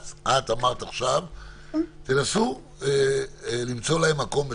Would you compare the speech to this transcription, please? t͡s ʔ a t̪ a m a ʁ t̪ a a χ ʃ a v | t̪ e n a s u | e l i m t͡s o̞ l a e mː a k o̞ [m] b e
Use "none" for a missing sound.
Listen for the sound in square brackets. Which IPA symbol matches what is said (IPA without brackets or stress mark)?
m